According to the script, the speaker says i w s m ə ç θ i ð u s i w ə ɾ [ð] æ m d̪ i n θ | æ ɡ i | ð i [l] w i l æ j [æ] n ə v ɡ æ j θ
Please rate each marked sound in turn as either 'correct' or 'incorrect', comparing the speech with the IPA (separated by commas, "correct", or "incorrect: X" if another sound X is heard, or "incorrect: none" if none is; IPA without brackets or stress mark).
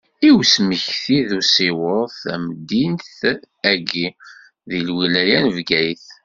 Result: incorrect: θ, correct, correct